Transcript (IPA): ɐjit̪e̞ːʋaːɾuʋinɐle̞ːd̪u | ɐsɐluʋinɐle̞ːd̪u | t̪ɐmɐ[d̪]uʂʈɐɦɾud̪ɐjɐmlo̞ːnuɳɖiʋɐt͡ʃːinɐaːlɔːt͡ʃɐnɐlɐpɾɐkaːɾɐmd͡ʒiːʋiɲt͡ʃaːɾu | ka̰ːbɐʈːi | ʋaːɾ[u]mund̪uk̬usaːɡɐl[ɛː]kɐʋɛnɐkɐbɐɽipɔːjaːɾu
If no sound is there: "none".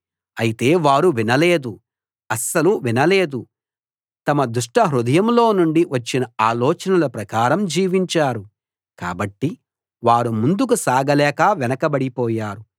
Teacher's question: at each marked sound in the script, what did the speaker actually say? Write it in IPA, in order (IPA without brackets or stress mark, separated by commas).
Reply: d̪, u, ɛː